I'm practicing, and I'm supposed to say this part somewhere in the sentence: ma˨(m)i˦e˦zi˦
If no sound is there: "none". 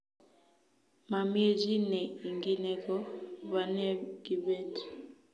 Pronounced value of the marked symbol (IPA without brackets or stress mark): m